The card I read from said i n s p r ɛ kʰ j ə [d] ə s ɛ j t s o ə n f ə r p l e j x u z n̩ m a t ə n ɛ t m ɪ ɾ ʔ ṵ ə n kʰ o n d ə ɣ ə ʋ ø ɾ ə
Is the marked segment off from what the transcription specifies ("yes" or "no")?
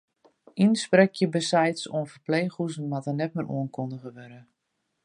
yes